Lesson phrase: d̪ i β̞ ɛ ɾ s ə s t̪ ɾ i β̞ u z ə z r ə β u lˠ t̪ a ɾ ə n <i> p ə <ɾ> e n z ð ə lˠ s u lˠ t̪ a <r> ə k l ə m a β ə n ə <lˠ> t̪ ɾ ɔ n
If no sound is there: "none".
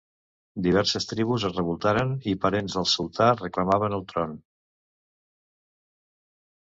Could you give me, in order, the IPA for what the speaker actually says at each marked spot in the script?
i, ɾ, r, lˠ

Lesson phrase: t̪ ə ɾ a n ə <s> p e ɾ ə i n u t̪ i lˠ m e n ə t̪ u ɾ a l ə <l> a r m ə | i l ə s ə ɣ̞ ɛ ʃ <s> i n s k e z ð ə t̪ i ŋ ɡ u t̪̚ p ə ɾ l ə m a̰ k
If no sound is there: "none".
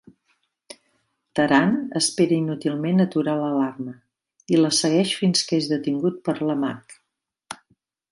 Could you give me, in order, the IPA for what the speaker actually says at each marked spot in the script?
s, l, f

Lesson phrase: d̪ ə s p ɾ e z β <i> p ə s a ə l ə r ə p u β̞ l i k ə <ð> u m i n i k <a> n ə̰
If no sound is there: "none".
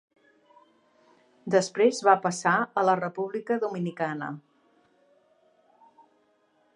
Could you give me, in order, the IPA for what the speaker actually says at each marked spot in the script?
a, ð, a

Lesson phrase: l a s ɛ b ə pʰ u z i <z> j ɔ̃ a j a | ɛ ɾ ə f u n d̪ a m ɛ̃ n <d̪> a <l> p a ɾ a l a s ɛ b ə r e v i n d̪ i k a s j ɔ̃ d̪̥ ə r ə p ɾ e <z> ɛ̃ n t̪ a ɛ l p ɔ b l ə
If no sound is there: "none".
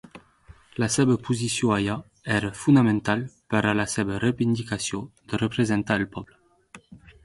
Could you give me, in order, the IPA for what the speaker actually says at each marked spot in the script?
s, t̪, l, z

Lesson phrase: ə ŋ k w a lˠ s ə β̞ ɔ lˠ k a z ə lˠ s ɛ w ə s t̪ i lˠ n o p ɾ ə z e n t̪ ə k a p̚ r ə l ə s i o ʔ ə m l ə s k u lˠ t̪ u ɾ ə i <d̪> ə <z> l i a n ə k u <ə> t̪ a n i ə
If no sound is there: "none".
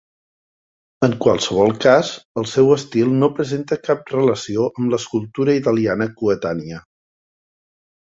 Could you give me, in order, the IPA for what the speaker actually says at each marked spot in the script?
t̪, none, ə

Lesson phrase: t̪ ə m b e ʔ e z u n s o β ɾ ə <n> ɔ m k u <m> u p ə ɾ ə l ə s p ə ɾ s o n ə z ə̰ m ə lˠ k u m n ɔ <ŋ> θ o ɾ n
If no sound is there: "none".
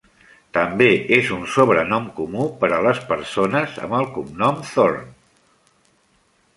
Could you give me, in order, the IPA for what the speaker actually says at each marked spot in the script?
n, m, m

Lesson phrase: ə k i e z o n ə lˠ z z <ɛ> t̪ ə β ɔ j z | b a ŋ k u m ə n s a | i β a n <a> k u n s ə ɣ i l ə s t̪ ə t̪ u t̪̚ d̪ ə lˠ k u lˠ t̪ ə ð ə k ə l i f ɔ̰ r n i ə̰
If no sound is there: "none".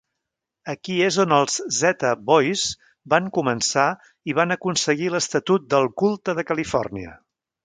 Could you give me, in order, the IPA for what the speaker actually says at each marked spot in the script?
ɛ, ə

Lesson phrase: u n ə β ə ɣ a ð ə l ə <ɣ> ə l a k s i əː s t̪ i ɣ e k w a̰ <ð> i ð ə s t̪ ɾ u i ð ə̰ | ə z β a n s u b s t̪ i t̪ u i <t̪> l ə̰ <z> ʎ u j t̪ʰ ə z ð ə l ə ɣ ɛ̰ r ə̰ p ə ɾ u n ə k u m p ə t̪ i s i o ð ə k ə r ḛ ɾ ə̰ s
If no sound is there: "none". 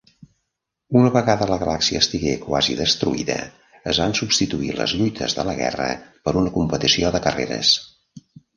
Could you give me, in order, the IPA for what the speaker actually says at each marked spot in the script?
ɣ, z, none, z

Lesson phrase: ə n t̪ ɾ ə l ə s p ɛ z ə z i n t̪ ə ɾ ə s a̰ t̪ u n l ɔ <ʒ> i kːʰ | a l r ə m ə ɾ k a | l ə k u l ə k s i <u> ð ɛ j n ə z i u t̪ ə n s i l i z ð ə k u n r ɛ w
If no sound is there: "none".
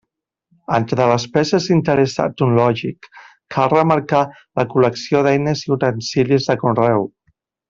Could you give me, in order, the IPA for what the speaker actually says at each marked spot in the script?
ʒ, o

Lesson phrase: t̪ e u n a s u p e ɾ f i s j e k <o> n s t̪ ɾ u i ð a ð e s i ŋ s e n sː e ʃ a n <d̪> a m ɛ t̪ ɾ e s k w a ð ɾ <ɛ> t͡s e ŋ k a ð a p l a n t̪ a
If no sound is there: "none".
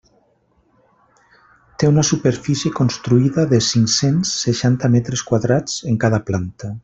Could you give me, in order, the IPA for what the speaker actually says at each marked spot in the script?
o, t̪, a

